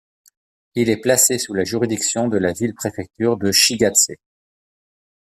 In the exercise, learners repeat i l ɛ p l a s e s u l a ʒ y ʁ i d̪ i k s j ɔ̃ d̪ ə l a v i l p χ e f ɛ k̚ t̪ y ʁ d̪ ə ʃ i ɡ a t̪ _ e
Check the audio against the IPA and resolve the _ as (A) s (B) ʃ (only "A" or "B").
A